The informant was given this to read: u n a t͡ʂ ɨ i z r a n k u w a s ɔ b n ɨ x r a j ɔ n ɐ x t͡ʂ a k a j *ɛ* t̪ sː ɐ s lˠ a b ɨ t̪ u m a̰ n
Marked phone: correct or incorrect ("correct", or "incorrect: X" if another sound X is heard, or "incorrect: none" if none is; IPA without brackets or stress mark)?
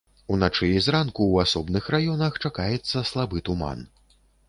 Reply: correct